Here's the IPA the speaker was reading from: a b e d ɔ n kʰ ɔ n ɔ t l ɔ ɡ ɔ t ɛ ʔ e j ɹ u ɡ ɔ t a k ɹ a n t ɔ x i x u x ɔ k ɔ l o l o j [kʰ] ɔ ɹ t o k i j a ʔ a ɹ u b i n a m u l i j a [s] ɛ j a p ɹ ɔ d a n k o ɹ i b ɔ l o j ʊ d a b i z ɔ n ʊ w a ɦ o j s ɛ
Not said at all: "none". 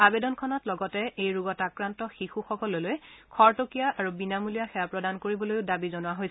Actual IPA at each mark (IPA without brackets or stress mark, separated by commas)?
kʰ, x